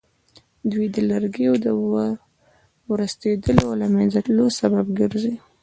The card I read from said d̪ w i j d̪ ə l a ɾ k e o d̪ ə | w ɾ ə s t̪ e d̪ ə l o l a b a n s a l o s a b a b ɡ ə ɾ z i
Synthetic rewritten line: d̪ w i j d̪ ə l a ɾ ɡ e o d̪ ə | w ɾ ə s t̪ e d̪ ə l o l a m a n z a l o s a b a b ɡ ə ɾ z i